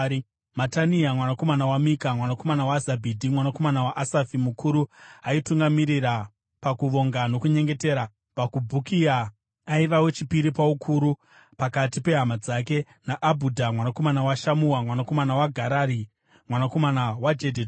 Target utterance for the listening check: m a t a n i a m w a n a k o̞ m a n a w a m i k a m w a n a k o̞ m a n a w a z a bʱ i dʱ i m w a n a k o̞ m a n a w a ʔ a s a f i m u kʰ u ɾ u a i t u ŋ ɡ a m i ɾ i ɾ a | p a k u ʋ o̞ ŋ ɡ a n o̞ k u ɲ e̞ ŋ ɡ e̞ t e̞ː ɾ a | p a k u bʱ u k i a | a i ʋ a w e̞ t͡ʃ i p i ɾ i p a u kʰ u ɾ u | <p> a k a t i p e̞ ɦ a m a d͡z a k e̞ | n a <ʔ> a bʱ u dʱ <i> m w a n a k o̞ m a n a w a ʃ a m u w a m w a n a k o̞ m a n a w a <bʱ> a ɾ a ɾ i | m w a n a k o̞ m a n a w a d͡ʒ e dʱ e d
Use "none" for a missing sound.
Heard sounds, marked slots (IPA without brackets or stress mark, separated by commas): p, ʔ, a, ɡʱ